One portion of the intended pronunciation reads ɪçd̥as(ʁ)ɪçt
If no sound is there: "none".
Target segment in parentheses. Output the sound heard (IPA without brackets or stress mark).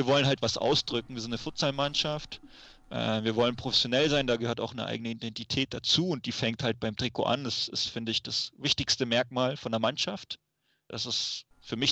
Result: v